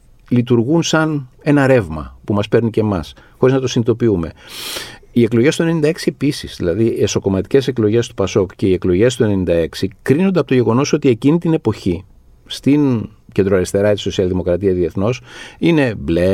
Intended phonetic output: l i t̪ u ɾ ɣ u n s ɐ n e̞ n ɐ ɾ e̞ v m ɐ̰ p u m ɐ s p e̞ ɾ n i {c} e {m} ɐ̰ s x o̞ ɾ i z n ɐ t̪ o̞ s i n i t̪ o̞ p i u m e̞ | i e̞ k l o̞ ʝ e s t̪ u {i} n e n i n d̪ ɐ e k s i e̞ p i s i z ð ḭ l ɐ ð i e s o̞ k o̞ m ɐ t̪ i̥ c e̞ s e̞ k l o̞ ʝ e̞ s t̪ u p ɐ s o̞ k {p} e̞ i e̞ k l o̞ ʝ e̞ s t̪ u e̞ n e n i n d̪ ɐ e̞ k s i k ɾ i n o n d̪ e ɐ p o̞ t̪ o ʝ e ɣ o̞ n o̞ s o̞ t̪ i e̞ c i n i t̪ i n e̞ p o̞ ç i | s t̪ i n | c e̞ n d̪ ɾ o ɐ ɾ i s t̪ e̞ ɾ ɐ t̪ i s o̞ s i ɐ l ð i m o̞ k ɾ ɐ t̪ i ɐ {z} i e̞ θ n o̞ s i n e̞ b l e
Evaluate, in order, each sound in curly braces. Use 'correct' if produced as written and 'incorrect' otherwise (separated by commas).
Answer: correct, correct, incorrect, incorrect, incorrect